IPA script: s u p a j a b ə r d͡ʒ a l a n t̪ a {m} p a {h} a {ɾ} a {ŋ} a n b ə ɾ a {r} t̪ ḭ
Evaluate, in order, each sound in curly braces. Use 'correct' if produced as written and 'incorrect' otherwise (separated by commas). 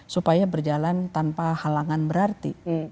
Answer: incorrect, correct, incorrect, correct, correct